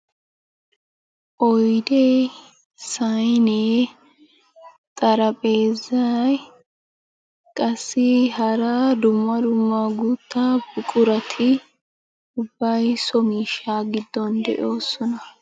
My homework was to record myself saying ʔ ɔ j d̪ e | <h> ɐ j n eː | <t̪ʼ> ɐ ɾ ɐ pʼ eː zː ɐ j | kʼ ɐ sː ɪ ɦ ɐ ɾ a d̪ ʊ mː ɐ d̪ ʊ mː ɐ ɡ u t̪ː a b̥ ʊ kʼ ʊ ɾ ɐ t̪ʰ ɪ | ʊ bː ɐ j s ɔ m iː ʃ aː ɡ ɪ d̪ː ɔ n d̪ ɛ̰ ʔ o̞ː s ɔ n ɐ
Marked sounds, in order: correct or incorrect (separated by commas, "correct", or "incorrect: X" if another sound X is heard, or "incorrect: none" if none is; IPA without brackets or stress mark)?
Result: incorrect: s, correct